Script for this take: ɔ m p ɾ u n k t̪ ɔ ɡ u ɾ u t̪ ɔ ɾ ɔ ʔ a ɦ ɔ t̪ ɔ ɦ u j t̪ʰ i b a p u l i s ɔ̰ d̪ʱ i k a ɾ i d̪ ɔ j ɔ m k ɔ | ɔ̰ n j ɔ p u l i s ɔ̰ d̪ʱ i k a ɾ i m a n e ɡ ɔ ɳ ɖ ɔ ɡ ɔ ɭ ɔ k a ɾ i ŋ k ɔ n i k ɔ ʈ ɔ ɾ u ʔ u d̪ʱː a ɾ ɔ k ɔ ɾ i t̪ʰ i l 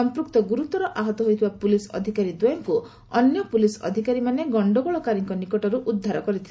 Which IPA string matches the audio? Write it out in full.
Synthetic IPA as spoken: ɔ m p ɾ u k t̪ ɔ ɡ u ɾ u t̪ ɔ ɾ ɔ ʔ a ɦ ɔ t̪ ɔ ɦ o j t̪ʰ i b a p u l i s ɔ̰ d̪ʱ i k a ɾ i d̪ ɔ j ɔ ŋ k u | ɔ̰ n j ɔ p u l i s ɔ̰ d̪ʱ i k a ɾ i m a n e ɡ ɔ ɳ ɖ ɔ ɡ ɔ ɭ ɔ k a ɾ i ŋ k ɔ n i k ɔ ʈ ɔ ɾ u ʔ u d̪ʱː a ɾ ɔ k ɔ ɾ i t̪ʰ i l